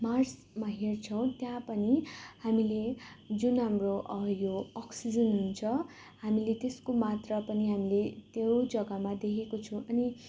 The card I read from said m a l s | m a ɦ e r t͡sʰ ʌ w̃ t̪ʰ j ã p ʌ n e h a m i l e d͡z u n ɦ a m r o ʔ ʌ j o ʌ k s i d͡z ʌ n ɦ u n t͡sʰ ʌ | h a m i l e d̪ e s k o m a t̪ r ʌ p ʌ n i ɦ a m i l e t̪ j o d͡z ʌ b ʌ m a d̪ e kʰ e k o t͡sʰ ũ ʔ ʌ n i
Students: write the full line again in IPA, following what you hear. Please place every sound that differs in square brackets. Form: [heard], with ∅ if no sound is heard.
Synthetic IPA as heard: m a [r] s | m a ɦ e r t͡sʰ ʌ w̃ [t̪] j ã p ʌ n [i] h a m i l e d͡z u n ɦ a m r o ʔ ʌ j o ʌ k s i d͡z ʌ n ɦ u n t͡sʰ ʌ | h a m i l e [t̪] e s k o m a t̪ r ʌ p ʌ n i ɦ a m i l e t̪ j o d͡z ʌ [ɡ] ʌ m a d̪ e kʰ e k o t͡sʰ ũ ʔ ʌ n i

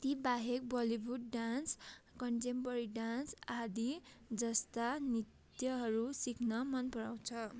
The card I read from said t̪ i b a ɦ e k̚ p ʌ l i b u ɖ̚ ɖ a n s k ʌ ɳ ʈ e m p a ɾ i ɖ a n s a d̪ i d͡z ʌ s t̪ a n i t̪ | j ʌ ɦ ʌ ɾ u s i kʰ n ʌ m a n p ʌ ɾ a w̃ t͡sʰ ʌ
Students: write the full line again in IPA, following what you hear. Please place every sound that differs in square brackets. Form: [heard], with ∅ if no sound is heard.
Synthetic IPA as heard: t̪ i b a ɦ e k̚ [b] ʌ l i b u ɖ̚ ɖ a n s k ʌ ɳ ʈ e m p [ʌ] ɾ i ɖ a n s a d̪ i d͡z ʌ s t̪ a n i t̪ | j ʌ ɦ ʌ ɾ u s i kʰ n ʌ m [ʌ] n p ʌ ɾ a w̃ t͡sʰ ʌ

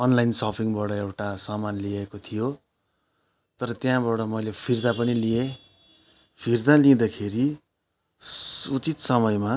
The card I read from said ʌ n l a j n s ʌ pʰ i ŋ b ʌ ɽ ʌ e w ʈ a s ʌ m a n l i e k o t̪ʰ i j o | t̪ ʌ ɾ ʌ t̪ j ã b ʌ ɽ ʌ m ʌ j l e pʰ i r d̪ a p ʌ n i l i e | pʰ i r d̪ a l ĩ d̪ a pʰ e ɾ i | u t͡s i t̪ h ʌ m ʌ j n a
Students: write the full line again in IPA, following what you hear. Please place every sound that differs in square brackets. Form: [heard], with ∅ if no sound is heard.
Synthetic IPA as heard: ʌ n l a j n s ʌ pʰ i ŋ b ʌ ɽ ʌ e w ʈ a s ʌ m a n l i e k o t̪ʰ i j o | t̪ ʌ ɾ ʌ t̪ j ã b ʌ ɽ ʌ m ʌ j l e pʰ i r d̪ a p ʌ n i l i e | pʰ i r d̪ a l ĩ d̪ a [kʰ] e ɾ i | u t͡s i t̪ [s] ʌ m ʌ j [m] a

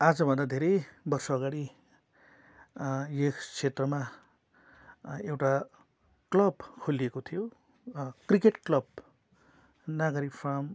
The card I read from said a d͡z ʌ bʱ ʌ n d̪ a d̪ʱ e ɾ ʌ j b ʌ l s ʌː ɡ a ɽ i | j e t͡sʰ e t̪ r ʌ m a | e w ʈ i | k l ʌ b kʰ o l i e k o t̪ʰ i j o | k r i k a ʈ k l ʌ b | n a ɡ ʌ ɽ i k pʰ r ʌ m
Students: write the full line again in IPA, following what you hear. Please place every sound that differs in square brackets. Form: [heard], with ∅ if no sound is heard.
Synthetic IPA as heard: a d͡z ʌ bʱ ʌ n d̪ a d̪ʱ e ɾ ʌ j b ʌ [r] s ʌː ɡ a ɽ i | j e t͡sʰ e t̪ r ʌ m a | e w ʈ [a] | k l ʌ b kʰ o l i e k o t̪ʰ i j o | k r i k [e] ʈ k l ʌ b | n a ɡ ʌ [ɾ] i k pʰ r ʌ m

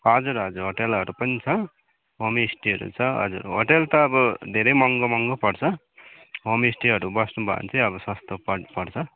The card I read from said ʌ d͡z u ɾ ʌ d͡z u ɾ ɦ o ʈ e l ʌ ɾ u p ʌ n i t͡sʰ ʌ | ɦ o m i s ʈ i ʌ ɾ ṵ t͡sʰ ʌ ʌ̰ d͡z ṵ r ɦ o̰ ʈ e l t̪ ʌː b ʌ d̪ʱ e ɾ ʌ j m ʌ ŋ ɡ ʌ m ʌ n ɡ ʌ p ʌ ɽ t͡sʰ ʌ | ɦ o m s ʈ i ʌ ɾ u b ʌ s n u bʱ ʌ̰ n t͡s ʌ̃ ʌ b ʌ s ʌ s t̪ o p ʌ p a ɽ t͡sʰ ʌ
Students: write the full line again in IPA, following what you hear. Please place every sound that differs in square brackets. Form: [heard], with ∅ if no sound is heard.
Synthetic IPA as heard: ʌ d͡z u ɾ ʌ d͡z u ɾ ɦ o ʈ e l ʌ ɾ u p ʌ n i t͡sʰ ʌ | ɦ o m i s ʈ i ʌ ɾ ṵ t͡sʰ ʌ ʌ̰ d͡z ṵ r ɦ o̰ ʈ e l t̪ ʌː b ʌ d̪ʱ e ɾ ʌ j m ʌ ŋ ɡ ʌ m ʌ [ŋ] ɡ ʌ p ʌ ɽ t͡sʰ ʌ | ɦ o m s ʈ i ʌ ɾ u b ʌ s n u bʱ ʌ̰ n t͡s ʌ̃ ʌ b ʌ s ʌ s t̪ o p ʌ p [ʌ] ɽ t͡sʰ ʌ

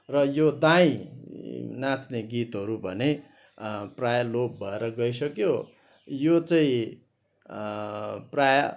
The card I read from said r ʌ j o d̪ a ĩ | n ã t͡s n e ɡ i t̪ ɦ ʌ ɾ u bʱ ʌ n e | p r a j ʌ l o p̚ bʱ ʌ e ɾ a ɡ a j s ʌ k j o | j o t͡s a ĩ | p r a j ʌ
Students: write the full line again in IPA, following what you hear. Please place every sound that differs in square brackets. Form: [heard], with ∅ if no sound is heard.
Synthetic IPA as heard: r ʌ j o d̪ a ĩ | n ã t͡s n e ɡ i t̪ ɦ ʌ ɾ u bʱ ʌ n e | p r a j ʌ l o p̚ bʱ ʌ e ɾ [ʌ] ɡ [ʌ] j s ʌ k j o | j o t͡s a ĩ | p r a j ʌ

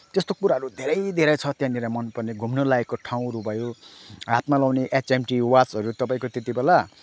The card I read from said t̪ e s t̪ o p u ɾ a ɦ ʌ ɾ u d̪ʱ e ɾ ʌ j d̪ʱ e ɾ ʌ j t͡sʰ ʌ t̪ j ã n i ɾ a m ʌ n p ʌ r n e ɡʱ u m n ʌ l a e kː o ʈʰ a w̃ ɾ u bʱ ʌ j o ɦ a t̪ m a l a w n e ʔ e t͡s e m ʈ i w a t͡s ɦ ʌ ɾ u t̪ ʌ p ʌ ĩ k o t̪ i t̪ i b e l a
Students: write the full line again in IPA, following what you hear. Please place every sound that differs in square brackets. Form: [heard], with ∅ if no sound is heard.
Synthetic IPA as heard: t̪ e s t̪ o [k] u ɾ a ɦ ʌ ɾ u d̪ʱ e ɾ ʌ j d̪ʱ e ɾ ʌ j t͡sʰ ʌ t̪ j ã n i ɾ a m ʌ n p ʌ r n e ɡʱ u m n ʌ l a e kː o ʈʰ a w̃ ɾ u bʱ ʌ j o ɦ a t̪ m a l a w n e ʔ e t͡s e m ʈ i w a t͡s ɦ ʌ ɾ u t̪ ʌ p [a] ĩ k o t̪ [e] t̪ i b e l a

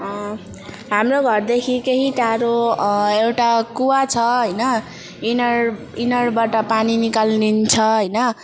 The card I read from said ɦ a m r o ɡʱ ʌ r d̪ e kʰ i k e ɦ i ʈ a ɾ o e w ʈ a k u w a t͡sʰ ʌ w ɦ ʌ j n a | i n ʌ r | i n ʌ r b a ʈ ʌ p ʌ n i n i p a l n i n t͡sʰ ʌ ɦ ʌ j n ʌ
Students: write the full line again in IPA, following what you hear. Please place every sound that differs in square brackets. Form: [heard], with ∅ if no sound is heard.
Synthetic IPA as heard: ɦ a m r o ɡʱ ʌ r d̪ e kʰ i k e ɦ i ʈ a ɾ o e w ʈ a k u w a t͡sʰ ʌ [∅] ɦ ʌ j n [ʌ] | i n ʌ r | i n ʌ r b a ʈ ʌ p [a] n i n i [k] a l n i n t͡sʰ ʌ ɦ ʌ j n ʌ

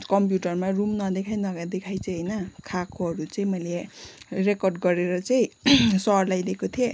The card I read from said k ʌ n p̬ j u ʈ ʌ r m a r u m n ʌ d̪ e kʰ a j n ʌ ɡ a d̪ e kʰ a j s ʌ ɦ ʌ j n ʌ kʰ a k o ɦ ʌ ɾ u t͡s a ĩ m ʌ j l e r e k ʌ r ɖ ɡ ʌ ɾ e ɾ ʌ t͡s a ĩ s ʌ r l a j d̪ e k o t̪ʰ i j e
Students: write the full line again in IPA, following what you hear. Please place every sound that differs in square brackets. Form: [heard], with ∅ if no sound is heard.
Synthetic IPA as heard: k ʌ [m] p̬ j u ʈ ʌ r m a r u m n ʌ d̪ e kʰ a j n ʌ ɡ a d̪ e kʰ a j [t͡s] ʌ ɦ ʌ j n ʌ kʰ a k o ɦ ʌ ɾ u t͡s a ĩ m ʌ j l e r e k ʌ r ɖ ɡ ʌ ɾ e ɾ ʌ t͡s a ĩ s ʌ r l a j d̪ e k o t̪ʰ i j e

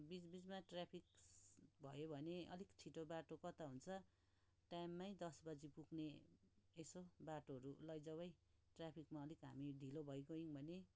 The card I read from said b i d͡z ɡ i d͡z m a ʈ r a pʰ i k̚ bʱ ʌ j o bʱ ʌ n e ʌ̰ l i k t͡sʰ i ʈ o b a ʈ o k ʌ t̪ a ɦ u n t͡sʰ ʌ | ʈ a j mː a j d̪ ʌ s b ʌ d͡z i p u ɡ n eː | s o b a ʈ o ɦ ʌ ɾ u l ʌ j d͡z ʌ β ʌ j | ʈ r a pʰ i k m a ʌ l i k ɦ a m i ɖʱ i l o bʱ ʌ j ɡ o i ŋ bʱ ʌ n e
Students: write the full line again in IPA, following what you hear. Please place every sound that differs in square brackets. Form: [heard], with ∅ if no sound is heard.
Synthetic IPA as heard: b i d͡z [b] i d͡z m a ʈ r a pʰ i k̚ bʱ ʌ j o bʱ ʌ n e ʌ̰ l i k t͡sʰ i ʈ o b a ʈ o k ʌ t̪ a ɦ u n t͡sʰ ʌ | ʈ a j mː a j d̪ ʌ s b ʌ d͡z i p u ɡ n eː | s o b a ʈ o ɦ ʌ ɾ u l ʌ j d͡z ʌ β ʌ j | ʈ r a pʰ i k m a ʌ l i k ɦ a m i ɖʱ i l o bʱ ʌ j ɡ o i ŋ bʱ ʌ n e

